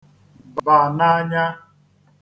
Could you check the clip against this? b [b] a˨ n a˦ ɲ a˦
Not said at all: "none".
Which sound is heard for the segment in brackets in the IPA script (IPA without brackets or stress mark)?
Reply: b